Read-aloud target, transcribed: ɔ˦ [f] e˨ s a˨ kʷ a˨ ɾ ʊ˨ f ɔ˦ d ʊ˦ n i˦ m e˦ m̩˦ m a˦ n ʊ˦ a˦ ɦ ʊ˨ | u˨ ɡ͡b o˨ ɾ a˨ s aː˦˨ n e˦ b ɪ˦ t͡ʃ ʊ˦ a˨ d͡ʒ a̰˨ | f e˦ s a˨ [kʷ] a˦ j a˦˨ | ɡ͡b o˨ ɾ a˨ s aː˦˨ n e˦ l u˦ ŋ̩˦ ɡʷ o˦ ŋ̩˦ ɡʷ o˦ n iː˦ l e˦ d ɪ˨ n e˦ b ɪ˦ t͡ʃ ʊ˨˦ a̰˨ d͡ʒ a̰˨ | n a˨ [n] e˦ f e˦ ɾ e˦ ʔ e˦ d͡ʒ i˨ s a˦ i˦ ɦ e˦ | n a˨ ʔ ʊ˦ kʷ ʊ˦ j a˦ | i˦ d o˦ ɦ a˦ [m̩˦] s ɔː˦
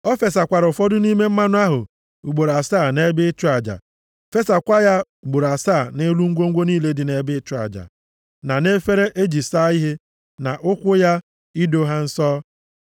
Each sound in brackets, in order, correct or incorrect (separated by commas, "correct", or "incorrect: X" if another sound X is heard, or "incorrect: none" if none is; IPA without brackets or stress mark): correct, correct, correct, incorrect: n̩˦